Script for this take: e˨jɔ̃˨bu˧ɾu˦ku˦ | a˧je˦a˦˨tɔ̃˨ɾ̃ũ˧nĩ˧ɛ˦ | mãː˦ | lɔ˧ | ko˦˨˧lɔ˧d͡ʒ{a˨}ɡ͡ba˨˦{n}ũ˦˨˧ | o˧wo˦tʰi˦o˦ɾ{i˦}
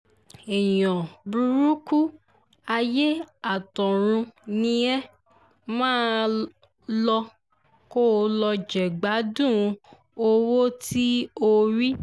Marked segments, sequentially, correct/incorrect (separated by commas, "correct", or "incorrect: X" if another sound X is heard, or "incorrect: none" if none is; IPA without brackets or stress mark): incorrect: ɛ˨, incorrect: d, correct